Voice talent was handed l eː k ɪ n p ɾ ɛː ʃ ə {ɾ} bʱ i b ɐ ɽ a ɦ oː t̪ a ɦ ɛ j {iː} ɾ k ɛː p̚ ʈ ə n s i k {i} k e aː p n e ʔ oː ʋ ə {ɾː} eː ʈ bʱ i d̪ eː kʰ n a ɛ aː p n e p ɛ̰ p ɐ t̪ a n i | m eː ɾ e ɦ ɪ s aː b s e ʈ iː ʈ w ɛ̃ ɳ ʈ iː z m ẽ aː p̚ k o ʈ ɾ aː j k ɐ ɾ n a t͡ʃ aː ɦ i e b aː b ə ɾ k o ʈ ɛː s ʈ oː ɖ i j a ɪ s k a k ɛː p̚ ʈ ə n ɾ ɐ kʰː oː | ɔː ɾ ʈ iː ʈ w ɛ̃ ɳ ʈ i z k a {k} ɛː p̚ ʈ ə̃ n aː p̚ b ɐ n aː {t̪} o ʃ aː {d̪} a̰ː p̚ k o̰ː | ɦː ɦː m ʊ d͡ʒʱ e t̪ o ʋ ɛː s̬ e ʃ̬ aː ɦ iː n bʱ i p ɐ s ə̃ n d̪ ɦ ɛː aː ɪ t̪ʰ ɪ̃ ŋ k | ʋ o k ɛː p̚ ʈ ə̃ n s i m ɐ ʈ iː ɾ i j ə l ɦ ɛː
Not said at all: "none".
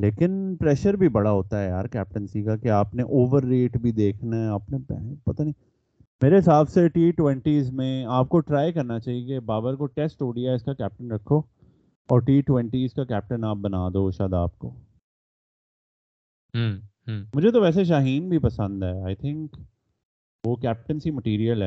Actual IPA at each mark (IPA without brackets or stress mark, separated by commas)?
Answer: ɾ, aː, a, ɾː, k, d̪, d̪